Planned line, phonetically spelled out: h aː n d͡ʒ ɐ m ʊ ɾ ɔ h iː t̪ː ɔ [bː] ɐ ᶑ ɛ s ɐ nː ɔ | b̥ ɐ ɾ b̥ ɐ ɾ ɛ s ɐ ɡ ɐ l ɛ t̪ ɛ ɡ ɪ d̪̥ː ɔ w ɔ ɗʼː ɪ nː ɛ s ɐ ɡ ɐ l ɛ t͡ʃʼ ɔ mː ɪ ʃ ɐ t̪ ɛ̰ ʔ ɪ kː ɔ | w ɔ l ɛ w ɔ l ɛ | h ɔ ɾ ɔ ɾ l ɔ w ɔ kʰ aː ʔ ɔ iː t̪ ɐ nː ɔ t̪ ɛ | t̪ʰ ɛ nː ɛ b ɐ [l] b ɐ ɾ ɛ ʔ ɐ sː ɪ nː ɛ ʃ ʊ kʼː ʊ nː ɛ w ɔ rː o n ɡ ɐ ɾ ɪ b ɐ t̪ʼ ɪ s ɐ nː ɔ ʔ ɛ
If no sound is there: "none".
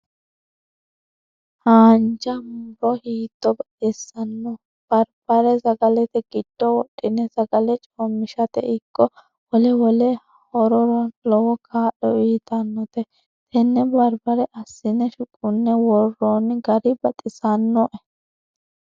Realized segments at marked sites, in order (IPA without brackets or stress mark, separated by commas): b, ɾ